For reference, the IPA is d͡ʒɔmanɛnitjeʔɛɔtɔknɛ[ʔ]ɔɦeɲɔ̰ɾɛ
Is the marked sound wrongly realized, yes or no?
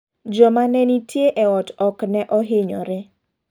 no